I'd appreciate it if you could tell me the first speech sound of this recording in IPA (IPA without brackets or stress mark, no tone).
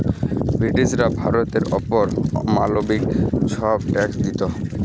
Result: b